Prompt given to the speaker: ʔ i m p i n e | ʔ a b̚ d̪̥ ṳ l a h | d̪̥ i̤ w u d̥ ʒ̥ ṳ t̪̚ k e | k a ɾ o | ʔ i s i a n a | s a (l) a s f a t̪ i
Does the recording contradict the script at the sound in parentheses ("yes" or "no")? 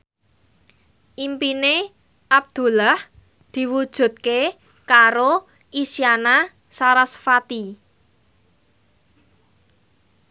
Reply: yes